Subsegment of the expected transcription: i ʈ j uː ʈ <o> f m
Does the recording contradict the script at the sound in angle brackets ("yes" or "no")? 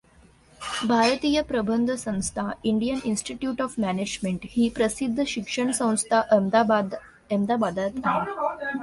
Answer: yes